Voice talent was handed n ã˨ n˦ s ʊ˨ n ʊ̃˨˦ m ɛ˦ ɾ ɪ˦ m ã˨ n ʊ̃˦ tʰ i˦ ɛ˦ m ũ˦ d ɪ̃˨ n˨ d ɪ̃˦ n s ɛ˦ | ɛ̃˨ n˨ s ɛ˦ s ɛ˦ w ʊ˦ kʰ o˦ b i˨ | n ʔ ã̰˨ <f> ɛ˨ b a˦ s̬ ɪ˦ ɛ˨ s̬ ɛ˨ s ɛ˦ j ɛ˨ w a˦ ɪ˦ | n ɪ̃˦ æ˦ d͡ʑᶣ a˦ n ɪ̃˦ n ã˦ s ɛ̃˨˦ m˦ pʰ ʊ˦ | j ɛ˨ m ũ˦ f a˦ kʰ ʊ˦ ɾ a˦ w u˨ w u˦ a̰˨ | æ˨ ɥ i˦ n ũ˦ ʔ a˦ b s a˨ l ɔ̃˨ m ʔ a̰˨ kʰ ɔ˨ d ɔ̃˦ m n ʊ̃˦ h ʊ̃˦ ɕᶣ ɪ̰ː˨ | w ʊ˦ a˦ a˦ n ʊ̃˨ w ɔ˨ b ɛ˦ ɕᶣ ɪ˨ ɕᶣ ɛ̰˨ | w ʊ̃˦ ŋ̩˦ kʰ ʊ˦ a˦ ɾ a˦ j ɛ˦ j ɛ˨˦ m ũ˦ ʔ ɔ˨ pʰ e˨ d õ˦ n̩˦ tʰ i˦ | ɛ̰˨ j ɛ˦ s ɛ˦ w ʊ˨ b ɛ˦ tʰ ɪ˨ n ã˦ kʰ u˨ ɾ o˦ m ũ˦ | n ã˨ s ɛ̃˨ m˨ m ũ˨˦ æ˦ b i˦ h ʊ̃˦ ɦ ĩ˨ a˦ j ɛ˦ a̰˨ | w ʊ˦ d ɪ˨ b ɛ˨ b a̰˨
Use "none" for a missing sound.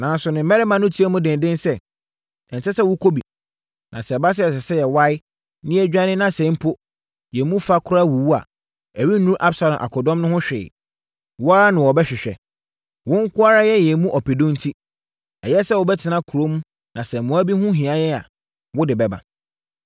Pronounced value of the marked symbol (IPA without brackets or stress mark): s